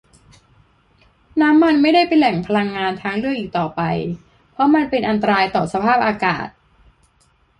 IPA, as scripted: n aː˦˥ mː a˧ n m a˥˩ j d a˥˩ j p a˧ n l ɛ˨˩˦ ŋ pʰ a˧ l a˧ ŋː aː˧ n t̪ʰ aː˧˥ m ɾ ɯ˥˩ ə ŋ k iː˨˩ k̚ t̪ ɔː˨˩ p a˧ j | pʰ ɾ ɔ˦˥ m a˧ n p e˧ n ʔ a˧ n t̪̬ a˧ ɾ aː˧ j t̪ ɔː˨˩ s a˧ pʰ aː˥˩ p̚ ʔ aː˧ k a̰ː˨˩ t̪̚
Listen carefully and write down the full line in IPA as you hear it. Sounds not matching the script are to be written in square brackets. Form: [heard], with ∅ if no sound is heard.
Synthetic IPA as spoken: n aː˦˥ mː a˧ n m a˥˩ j d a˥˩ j p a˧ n l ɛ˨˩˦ ŋ pʰ a˧ l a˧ ŋː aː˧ n t̪ʰ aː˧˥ [ŋ] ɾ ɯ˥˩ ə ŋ [ʔ] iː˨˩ k̚ t̪ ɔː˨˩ p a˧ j | pʰ ɾ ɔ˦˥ m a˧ n p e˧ n ʔ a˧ n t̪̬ a˧ ɾ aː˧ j t̪ ɔː˨˩ s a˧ pʰ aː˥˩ p̚ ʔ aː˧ k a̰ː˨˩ t̪̚